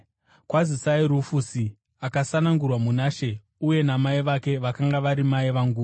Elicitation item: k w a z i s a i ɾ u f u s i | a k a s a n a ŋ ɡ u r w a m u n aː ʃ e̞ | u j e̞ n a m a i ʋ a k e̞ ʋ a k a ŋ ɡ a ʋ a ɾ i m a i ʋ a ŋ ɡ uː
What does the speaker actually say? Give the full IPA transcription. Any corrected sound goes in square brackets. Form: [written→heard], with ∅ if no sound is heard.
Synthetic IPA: k w a z i s a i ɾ u f u s i | a k a s a n a ŋ ɡ u r w a m u n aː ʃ e̞ | u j e̞ n a m a i ʋ a k e̞ ʋ a k a ŋ ɡ a ʋ a ɾ i m a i ʋ a ŋ ɡ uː

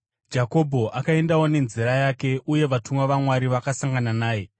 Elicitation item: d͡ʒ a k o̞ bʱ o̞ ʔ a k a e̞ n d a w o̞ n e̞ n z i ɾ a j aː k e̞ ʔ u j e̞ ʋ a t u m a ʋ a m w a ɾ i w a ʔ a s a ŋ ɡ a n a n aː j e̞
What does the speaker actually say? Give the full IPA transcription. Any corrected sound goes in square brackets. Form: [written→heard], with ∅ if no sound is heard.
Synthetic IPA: d͡ʒ a k o̞ bʱ o̞ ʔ a k a e̞ n d a w o̞ n e̞ n z i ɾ a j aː k e̞ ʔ u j e̞ ʋ a t u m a ʋ a m w a ɾ i [w→ʋ] a [ʔ→k] a s a ŋ ɡ a n a n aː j e̞

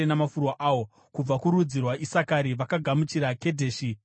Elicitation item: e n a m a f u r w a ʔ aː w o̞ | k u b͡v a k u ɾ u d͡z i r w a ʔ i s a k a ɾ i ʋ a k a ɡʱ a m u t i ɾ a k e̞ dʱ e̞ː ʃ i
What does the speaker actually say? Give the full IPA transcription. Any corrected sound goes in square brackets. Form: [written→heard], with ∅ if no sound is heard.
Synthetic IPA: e n a m a f u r w a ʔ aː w o̞ | k u b͡v a k u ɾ u d͡z i r w a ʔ i s a k a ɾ i ʋ a k a ɡʱ a m u [t→t͡ʃ] i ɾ a k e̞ dʱ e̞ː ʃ i

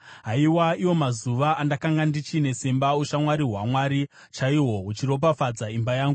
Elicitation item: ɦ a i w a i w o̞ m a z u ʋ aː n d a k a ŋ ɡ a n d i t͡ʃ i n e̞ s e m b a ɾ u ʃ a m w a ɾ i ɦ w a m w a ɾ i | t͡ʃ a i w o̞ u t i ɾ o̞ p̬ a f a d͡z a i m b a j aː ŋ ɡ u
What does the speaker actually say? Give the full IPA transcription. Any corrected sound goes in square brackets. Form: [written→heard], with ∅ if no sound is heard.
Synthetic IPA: ɦ a i w a i w o̞ m a z u ʋ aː n d a k a ŋ ɡ a n d i t͡ʃ i n e̞ s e m b a [ɾ→∅] u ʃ a m w a ɾ i ɦ w a m w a ɾ i | t͡ʃ a i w o̞ u [t→t͡ʃ] i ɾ o̞ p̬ a f a d͡z a i m b a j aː ŋ ɡ u

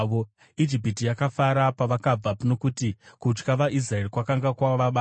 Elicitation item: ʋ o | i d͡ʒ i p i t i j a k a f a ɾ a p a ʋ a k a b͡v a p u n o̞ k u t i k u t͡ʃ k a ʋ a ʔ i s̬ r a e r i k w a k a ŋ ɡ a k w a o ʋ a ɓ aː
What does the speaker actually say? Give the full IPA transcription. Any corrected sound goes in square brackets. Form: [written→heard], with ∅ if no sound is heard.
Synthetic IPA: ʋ o | i d͡ʒ i p i t i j a k a f a ɾ a p a ʋ a k a b͡v a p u n o̞ k u t i k u t͡ʃ k a ʋ a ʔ i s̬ r a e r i k w a k a ŋ ɡ a k w a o ʋ a ɓ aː

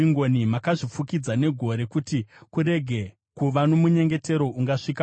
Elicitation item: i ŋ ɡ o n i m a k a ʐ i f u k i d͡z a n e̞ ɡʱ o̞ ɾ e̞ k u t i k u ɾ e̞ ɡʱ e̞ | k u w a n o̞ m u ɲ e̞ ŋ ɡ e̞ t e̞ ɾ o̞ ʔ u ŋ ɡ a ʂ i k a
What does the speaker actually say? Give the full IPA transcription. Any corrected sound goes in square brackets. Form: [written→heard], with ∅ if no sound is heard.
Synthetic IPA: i ŋ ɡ o n i m a k a ʐ i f u k i d͡z a n e̞ ɡʱ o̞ ɾ e̞ k u t i k u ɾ e̞ ɡʱ e̞ | k u [w→ʋ] a n o̞ m u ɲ e̞ ŋ ɡ e̞ t e̞ ɾ o̞ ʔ u ŋ ɡ a ʂ i k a

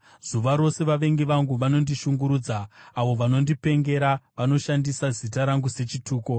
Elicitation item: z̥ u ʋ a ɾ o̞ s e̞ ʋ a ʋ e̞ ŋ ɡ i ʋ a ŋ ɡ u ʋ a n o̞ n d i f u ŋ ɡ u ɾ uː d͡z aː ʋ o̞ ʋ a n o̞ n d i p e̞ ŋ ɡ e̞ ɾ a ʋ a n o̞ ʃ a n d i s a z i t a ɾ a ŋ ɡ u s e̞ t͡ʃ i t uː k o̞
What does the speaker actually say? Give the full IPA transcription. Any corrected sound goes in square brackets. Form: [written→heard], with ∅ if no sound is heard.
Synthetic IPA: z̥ u ʋ a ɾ o̞ s e̞ ʋ a ʋ e̞ ŋ ɡ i ʋ a ŋ ɡ u ʋ a n o̞ n d i [f→ʃ] u ŋ ɡ u ɾ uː d͡z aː ʋ o̞ ʋ a n o̞ n d i p e̞ ŋ ɡ e̞ ɾ a ʋ a n o̞ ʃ a n d i s a z i t a ɾ a ŋ ɡ u s e̞ t͡ʃ i t uː k o̞

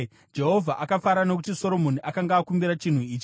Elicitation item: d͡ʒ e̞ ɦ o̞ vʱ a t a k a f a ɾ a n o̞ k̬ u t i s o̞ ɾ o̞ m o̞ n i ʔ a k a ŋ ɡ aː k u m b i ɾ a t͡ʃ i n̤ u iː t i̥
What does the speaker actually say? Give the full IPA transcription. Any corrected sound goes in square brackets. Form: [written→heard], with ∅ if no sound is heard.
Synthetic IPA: d͡ʒ e̞ ɦ o̞ vʱ a [t→ʔ] a k a f a ɾ a n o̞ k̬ u t i s o̞ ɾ o̞ m o̞ n i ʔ a k a ŋ ɡ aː k u m b i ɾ a t͡ʃ i n̤ u iː [t→t͡ʃ] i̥

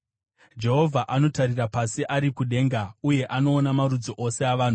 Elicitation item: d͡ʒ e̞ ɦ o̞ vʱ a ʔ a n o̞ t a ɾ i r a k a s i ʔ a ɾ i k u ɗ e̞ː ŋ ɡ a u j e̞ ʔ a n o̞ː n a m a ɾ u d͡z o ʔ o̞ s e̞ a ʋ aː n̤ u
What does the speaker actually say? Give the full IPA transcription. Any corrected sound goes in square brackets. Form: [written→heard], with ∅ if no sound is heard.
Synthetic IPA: d͡ʒ e̞ ɦ o̞ vʱ a ʔ a n o̞ t a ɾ i r a [k→p] a s i ʔ a ɾ i k u ɗ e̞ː ŋ ɡ a u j e̞ ʔ a n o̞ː n a m a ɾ u d͡z o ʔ o̞ s e̞ a ʋ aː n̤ u

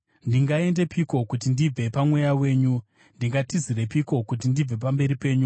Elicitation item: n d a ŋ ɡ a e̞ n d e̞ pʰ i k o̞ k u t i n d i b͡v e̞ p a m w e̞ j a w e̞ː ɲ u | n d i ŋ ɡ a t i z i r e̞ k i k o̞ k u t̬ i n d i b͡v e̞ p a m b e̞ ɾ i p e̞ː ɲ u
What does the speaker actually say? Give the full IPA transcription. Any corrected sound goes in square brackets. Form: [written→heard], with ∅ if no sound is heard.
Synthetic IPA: n d [a→i] ŋ ɡ a e̞ n d e̞ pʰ i k o̞ k u t i n d i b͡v e̞ p a m w e̞ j a w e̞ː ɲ u | n d i ŋ ɡ a t i z i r e̞ [k→p] i k o̞ k u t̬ i n d i b͡v e̞ p a m b e̞ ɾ i p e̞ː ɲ u

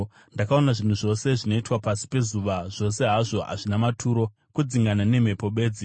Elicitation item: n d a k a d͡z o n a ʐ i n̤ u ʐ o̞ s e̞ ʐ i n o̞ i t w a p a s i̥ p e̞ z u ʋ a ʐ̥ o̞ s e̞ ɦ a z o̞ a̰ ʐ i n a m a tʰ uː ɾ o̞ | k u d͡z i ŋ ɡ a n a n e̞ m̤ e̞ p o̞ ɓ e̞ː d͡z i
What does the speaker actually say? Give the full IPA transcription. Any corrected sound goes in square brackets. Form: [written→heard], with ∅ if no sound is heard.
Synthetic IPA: n d a k a [d͡z→∅] o n a ʐ i n̤ u ʐ o̞ s e̞ ʐ i n o̞ i t w a p a s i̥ p e̞ z u ʋ a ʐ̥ o̞ s e̞ ɦ a [z→ʐ] o̞ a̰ ʐ i n a m a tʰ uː ɾ o̞ | k u d͡z i ŋ ɡ a n a n e̞ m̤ e̞ p o̞ ɓ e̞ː d͡z i

